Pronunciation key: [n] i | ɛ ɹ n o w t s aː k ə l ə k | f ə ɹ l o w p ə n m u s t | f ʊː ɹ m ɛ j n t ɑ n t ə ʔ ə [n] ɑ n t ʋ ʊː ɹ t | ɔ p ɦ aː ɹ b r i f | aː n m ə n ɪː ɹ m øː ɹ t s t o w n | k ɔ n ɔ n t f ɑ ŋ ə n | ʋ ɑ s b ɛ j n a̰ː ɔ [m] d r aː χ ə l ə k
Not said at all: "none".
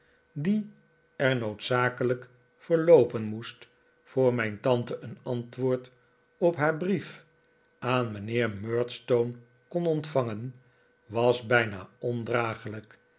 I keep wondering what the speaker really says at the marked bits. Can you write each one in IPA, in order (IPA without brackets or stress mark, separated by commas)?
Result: d, n, n